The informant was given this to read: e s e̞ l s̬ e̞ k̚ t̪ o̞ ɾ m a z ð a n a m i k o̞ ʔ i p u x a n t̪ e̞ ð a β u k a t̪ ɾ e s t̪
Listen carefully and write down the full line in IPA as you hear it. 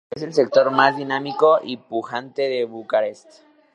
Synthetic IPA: e s e̞ l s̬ e̞ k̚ t̪ o̞ ɾ m a z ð i n a m i k o̞ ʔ i p u x a n t̪ e̞ ð e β u k a ɾ e s t̪

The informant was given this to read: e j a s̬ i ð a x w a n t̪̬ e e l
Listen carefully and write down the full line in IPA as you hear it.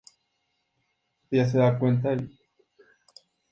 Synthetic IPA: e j a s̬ e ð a k w e n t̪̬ a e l

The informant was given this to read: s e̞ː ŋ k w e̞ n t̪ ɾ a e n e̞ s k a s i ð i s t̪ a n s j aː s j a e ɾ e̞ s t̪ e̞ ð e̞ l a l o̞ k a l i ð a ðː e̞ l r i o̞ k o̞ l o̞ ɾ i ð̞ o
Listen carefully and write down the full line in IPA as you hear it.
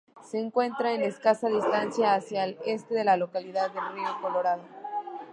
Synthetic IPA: s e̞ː ŋ k w e̞ n t̪ ɾ a e n e̞ s k a s a ð i s t̪ a n s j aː s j a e l e̞ s t̪ e̞ ð e̞ l a l o̞ k a l i ð a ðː e̞ l r i o̞ k o̞ l o̞ ɾ a ð̞ o

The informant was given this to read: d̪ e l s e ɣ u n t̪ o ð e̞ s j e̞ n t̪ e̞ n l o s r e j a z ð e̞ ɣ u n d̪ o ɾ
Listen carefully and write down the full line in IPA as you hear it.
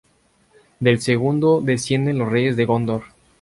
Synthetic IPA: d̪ e l s e ɣ u n d̪ o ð e̞ s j e̞ n d̪ e̞ n l o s r e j e z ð e̞ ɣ o n d̪ o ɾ

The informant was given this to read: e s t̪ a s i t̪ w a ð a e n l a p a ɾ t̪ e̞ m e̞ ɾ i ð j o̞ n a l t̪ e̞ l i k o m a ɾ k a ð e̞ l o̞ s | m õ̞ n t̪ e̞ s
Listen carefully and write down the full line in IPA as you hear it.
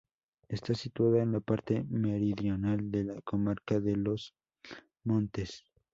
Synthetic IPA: e s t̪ a s i t̪ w a ð a e n l a p a ɾ t̪ e̞ m e̞ ɾ i ð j o̞ n a l d̪ e̞ l a k o m a ɾ k a ð e̞ l o̞ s | m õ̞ n t̪ e̞ s

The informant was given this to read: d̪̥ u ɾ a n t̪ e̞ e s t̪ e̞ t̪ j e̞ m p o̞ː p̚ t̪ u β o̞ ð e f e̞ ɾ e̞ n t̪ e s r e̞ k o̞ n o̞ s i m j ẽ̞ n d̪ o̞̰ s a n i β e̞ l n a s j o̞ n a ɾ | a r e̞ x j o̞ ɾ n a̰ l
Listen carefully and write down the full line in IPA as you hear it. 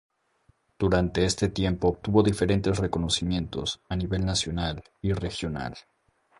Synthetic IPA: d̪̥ u ɾ a n t̪ e̞ e s t̪ e̞ t̪ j e̞ m p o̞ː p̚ t̪ u β o̞ ð i f e̞ ɾ e̞ n t̪ e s r e̞ k o̞ n o̞ s i m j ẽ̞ n t̪ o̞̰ s a n i β e̞ l n a s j o̞ n a l | i r e̞ x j o̞ n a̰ l

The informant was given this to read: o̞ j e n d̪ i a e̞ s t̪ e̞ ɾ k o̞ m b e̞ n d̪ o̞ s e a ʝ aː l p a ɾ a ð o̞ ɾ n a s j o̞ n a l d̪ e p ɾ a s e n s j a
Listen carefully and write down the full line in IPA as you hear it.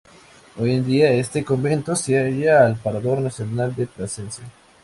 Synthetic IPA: o̞ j e n d̪ i a e̞ s t̪ e̞ k o̞ m b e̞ n t̪ o̞ s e a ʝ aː l p a ɾ a ð o̞ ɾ n a s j o̞ n a l d̪ e p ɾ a s e n s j a

